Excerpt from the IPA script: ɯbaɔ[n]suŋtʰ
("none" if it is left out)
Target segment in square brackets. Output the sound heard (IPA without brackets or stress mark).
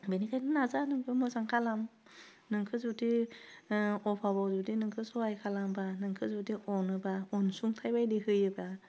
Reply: n